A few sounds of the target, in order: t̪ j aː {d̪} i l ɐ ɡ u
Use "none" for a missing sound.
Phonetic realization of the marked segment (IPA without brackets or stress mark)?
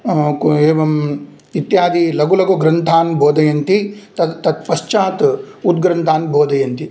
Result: d̪